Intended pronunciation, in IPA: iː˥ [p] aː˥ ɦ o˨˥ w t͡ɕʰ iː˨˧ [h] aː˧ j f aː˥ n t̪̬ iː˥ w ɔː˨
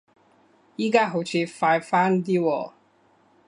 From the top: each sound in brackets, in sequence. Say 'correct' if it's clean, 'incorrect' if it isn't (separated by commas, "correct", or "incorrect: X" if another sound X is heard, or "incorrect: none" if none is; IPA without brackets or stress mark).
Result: incorrect: k, incorrect: f